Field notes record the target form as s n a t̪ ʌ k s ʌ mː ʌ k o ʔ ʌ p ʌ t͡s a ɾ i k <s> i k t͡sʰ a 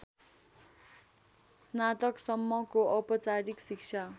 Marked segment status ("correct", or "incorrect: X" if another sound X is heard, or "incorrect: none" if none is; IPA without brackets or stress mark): correct